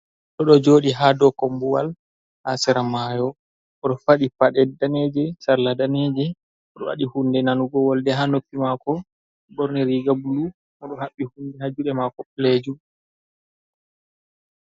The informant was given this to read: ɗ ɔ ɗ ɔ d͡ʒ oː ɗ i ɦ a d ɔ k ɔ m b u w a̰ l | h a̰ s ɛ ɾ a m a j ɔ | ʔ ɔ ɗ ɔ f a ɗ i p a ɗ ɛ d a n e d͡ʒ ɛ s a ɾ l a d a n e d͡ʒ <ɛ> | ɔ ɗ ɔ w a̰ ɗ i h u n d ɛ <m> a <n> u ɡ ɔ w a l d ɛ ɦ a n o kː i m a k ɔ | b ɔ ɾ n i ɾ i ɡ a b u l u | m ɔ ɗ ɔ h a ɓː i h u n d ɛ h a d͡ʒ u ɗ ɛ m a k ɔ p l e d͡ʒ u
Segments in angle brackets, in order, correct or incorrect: correct, incorrect: n, correct

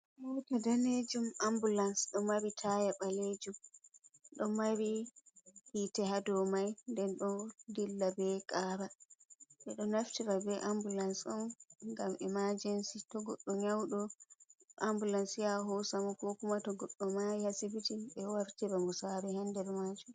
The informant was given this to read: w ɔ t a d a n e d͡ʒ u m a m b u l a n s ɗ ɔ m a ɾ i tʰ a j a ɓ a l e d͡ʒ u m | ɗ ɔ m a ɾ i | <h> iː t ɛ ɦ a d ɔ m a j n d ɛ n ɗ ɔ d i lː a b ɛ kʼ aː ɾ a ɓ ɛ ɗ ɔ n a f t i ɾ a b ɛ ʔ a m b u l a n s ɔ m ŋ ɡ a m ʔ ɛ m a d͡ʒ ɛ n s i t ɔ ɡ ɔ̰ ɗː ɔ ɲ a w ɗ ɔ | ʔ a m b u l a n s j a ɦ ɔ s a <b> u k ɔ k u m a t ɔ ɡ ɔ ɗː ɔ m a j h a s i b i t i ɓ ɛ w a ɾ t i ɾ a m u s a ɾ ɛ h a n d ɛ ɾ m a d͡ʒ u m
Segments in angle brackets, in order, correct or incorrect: correct, incorrect: m

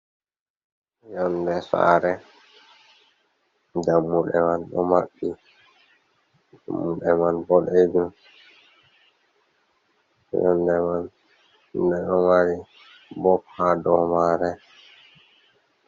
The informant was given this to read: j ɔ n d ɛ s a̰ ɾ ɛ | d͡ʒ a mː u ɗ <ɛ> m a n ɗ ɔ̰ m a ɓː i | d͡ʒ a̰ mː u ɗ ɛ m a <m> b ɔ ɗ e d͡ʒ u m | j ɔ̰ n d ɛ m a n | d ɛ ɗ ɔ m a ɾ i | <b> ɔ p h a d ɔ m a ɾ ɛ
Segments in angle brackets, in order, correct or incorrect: correct, incorrect: n, correct

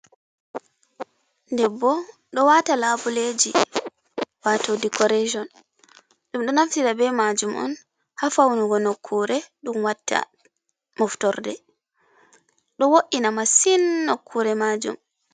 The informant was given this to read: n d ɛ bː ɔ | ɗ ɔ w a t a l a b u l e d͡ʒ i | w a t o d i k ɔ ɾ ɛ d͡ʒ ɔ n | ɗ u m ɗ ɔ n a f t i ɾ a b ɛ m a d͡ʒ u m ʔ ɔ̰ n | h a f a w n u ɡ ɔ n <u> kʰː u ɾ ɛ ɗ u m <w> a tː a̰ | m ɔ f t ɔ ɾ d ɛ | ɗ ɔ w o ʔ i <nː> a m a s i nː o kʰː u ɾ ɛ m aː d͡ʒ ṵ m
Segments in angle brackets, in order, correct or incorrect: incorrect: o, correct, incorrect: n

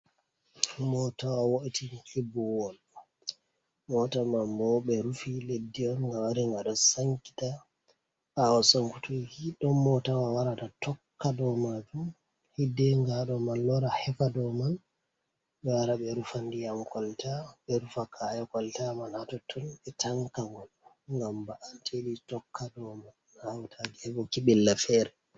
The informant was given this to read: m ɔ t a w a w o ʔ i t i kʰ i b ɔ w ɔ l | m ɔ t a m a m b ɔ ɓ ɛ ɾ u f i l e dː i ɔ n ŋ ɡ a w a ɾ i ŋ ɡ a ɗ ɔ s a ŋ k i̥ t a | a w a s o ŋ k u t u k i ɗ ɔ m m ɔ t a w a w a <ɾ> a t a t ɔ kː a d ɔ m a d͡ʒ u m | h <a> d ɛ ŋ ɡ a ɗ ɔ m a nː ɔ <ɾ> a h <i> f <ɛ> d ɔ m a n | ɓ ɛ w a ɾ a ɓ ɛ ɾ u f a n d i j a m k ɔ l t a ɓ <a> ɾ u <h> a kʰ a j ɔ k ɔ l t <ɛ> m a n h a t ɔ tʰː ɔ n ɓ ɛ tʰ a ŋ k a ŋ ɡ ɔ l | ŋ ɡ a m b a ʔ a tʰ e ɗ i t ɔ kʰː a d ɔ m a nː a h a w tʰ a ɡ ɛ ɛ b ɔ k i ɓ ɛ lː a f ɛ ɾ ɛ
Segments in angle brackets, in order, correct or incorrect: correct, incorrect: i, correct, incorrect: ɛ, incorrect: a, incorrect: ɛ, incorrect: f, incorrect: a

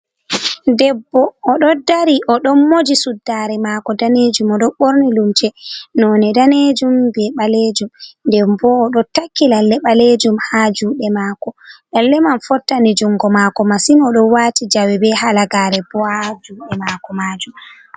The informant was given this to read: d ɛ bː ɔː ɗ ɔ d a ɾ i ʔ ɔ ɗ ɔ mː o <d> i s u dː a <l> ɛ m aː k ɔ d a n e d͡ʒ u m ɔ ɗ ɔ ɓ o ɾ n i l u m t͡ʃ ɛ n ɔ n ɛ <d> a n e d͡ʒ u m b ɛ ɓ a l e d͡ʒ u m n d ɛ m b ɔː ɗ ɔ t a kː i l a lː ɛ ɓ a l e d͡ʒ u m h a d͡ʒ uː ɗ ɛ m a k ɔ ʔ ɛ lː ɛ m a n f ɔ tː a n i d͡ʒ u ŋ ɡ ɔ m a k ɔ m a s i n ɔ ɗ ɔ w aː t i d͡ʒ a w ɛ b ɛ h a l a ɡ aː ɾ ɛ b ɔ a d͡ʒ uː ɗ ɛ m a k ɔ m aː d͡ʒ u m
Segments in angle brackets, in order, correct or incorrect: incorrect: d͡ʒ, incorrect: ɾ, correct

